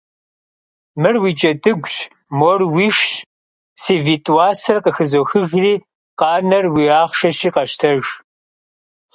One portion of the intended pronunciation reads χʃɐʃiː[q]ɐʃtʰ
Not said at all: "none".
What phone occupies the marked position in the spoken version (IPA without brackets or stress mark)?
q